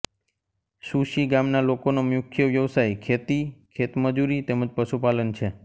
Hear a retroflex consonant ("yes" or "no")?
no